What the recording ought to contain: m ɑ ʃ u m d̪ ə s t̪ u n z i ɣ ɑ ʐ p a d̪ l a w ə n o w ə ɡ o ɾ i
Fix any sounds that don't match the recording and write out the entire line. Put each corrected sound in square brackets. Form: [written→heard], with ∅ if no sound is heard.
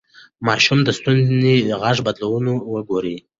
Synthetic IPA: m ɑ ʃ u m d̪ ə s t̪ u n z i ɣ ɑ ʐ [p→b] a d̪ l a w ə n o w ə ɡ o ɾ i